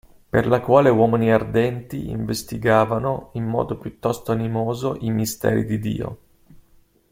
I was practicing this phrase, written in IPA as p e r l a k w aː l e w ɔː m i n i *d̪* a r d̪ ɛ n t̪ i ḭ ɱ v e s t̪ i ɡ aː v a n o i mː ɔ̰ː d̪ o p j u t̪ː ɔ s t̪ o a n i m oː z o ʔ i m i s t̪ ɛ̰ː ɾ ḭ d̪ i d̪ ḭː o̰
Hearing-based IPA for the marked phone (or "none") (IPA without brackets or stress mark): none